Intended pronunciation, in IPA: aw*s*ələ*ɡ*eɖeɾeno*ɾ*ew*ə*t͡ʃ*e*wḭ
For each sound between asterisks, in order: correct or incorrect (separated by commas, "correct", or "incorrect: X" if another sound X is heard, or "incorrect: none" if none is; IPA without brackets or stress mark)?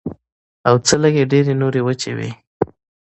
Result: incorrect: t͡s, correct, correct, correct, correct